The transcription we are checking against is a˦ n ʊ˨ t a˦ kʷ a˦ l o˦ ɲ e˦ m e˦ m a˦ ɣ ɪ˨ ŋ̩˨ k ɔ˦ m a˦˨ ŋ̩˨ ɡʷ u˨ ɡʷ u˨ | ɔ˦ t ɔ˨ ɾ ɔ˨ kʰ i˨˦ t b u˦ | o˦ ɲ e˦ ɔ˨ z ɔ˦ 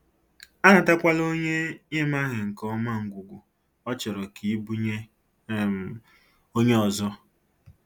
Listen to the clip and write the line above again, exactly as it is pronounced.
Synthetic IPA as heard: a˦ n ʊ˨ t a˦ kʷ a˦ l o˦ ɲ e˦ ɲ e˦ m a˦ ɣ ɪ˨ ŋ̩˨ k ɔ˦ m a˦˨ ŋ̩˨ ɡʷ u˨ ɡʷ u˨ | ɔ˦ t͡ʃ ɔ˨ ɾ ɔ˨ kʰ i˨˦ b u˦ | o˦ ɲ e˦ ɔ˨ z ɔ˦